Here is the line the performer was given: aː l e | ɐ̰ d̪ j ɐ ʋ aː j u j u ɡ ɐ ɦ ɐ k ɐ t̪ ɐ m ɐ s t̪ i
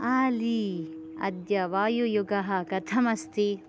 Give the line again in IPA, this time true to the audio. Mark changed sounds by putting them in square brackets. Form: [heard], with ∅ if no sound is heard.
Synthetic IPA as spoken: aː l [i] | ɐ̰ d̪ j ɐ ʋ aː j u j u ɡ ɐ ɦ ɐ k ɐ [t̪ʰ] ɐ m ɐ s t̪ i